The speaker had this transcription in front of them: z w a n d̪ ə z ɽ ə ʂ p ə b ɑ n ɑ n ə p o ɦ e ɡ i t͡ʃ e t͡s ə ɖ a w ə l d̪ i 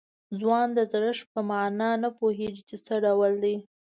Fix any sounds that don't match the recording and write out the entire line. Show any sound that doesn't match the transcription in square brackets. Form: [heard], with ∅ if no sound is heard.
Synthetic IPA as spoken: z w [ɑ] n d̪ ə z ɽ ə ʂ p ə [m] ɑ n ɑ n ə p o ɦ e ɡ i t͡ʃ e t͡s ə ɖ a w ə l d̪ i